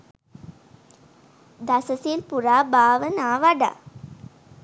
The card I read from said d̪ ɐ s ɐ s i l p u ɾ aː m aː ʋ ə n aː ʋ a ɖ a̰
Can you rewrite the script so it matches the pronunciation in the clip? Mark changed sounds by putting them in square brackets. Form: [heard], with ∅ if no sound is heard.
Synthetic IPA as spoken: d̪ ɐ s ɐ s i l p u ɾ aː [b] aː ʋ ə n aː ʋ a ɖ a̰